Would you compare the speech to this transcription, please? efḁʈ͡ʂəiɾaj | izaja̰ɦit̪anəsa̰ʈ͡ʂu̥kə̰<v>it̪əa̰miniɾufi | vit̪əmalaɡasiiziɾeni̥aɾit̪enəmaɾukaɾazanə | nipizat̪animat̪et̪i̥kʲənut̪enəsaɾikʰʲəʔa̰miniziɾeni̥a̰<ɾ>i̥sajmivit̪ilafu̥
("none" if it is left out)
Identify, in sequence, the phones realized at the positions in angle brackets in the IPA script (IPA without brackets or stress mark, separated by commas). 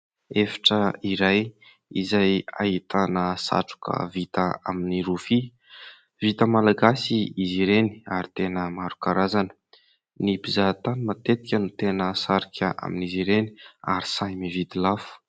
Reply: v, ɾ